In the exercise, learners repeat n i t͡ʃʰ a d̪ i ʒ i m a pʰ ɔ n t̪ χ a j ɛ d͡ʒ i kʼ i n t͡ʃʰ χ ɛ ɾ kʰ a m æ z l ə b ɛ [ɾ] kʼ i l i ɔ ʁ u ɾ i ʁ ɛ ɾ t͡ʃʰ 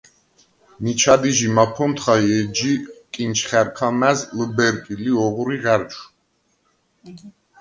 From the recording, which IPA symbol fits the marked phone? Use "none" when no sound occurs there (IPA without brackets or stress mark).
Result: ɾ